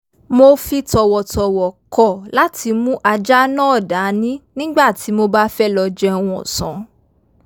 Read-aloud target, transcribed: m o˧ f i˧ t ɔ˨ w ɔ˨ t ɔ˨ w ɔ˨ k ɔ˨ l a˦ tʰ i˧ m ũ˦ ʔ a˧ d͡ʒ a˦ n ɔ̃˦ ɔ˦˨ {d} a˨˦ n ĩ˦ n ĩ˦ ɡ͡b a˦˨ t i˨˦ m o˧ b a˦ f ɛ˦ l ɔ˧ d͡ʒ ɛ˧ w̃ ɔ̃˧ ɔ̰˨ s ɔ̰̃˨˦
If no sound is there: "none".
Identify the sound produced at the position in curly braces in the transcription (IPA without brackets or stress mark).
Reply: d